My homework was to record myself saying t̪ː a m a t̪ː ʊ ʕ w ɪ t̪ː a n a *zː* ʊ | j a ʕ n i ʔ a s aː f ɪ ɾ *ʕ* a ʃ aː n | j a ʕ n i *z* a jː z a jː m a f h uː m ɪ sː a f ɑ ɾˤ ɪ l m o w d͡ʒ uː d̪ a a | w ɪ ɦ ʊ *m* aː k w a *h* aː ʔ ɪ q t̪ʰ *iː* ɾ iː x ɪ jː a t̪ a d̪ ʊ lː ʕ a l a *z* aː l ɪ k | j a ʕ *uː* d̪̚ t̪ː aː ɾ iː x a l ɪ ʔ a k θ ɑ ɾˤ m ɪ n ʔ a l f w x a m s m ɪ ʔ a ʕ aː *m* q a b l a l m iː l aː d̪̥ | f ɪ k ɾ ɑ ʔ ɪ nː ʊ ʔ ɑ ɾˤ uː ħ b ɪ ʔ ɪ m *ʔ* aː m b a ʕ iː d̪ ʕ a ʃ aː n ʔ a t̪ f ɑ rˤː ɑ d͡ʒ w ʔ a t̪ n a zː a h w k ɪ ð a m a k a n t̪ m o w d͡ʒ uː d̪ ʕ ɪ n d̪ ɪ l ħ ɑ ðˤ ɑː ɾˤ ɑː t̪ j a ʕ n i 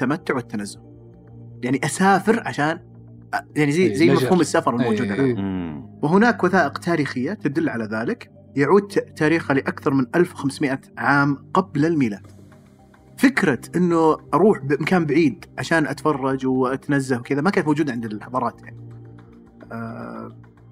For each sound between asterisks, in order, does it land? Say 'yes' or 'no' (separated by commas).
yes, yes, yes, no, no, no, no, yes, yes, no